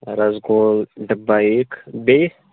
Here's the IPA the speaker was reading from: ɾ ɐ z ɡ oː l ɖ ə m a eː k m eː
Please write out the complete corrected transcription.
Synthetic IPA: ɾ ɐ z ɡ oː l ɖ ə b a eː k b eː

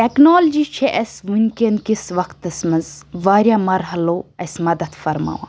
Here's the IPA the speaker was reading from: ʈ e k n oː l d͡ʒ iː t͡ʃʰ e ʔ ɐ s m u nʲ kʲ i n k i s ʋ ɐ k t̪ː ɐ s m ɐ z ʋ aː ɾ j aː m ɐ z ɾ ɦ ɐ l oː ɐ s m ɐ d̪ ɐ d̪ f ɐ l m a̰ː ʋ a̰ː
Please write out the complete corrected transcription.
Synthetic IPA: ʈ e k n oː l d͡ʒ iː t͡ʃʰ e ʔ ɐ s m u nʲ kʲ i n k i s ʋ ɐ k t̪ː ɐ s m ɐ z ʋ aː ɾ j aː m ɐ ɾ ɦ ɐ l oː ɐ s m ɐ d̪ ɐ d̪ f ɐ ɾ m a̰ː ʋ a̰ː

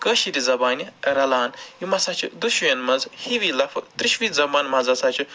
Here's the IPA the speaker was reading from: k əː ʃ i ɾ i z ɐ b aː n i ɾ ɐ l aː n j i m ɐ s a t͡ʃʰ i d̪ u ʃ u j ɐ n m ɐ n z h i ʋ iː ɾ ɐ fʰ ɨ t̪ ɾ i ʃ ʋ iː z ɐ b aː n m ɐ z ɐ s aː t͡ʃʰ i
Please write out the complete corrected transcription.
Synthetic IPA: k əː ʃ i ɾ i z ɐ b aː n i ɾ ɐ l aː n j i m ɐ s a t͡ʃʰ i d̪ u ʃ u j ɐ n m ɐ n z h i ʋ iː l ɐ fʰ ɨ t̪ ɾ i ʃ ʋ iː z ɐ b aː n m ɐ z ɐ s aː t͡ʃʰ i

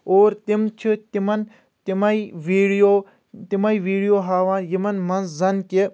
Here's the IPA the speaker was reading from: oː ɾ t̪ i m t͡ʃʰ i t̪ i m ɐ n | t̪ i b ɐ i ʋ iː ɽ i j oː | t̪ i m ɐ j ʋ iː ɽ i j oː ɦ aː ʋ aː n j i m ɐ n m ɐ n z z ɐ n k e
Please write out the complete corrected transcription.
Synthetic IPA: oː ɾ t̪ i m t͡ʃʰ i t̪ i m ɐ n | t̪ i m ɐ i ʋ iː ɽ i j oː | t̪ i m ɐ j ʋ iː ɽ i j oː ɦ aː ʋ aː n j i m ɐ n m ɐ n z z ɐ n k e

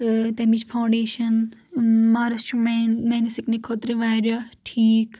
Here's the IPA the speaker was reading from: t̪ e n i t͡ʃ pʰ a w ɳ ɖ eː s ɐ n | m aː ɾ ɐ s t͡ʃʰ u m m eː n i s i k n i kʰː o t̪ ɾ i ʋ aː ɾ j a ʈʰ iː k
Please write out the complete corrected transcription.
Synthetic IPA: t̪ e m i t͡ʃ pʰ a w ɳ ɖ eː ʃ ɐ n | m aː ɾ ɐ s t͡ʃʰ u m m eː n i s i k n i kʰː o t̪ ɾ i ʋ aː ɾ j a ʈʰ iː k

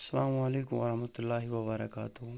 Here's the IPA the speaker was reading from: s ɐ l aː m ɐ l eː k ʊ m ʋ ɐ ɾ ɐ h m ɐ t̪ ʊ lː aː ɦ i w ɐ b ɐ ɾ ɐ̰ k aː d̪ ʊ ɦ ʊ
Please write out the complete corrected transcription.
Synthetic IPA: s ɐ l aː m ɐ l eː k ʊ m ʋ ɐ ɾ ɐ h m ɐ t̪ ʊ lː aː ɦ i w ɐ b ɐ ɾ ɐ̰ k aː t̪ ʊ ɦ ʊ

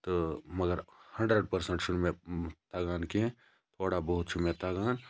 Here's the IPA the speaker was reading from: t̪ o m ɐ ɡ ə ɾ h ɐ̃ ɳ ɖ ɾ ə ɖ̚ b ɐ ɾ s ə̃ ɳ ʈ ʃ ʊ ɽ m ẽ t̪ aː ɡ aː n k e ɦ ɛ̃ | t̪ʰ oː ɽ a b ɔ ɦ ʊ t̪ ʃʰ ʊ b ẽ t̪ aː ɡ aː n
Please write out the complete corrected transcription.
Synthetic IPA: t̪ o m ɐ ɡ ə ɾ h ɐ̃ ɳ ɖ ɾ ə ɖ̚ p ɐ ɾ s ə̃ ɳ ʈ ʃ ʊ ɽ m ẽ t̪ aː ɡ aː n k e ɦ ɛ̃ | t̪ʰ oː ɽ a b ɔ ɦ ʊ t̪ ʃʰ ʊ m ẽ t̪ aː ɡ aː n

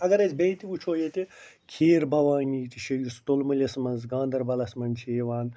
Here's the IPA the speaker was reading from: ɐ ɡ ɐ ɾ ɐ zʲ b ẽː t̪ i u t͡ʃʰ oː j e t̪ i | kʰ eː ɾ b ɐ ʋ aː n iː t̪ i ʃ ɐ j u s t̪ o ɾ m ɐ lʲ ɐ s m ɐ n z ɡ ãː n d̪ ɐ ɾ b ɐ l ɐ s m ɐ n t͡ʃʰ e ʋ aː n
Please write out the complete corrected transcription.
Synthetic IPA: ɐ ɡ ɐ ɾ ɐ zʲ b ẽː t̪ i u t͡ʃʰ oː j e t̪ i | kʰ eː ɾ b ɐ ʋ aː n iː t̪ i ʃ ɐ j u s t̪ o l m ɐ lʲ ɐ s m ɐ n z ɡ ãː n d̪ ɐ ɾ b ɐ l ɐ s m ɐ n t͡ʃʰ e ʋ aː n

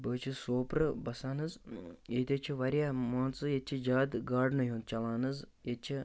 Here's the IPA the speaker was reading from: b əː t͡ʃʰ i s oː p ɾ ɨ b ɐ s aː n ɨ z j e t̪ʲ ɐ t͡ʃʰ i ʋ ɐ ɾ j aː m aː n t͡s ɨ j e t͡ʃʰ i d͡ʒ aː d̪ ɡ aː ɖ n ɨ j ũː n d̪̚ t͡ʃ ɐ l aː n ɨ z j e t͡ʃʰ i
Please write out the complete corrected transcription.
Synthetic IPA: b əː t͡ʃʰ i s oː p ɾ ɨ b ɐ s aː n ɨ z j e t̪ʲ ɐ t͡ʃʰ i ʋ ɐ ɾ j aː m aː n t͡s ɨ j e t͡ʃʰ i d͡ʒ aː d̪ ɡ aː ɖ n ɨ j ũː n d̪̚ t͡ʃ ɐ l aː n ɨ z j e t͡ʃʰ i

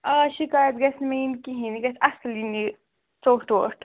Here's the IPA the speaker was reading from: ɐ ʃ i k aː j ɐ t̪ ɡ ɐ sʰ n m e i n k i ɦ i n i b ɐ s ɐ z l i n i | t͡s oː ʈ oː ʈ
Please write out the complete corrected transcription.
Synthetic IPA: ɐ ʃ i k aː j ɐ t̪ ɡ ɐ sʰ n m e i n k i ɦ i n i ɡ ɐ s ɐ s l i n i | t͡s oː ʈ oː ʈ

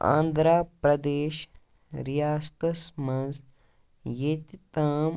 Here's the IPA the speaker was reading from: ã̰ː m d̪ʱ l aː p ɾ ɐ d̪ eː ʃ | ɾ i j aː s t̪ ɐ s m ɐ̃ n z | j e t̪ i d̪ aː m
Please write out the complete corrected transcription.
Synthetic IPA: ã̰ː n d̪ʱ ɾ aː p ɾ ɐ d̪ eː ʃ | ɾ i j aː s t̪ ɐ s m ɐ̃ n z | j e t̪ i t̪ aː m

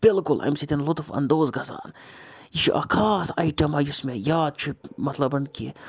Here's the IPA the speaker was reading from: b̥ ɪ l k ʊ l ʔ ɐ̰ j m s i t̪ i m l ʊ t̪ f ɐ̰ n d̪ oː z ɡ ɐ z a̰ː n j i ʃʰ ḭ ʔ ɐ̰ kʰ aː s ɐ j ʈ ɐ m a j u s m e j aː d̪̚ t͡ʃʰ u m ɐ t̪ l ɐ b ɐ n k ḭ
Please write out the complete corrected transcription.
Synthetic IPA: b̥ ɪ l k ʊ l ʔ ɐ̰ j m s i t̪ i n l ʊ t̪ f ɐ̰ n d̪ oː z ɡ ɐ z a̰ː n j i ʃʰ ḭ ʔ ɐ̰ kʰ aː s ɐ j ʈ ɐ m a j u s m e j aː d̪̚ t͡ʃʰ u m ɐ t̪ l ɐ b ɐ n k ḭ

